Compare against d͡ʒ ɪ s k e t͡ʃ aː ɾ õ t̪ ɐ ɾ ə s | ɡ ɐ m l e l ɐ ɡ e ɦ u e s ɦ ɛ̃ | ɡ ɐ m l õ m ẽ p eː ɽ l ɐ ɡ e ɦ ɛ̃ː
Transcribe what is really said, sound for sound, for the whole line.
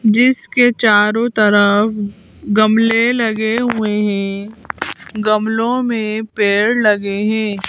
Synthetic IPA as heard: d͡ʒ ɪ s k e t͡ʃ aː ɾ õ t̪ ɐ ɾ ə f | ɡ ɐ m l e l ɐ ɡ e ɦ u e ɦ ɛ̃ | ɡ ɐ m l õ m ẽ p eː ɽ l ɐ ɡ e ɦ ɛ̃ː